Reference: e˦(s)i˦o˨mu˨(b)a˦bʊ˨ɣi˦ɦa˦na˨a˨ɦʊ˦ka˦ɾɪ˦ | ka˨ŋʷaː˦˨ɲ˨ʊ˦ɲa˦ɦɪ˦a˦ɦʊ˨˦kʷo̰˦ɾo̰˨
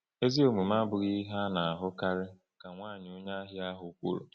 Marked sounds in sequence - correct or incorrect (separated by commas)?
incorrect, incorrect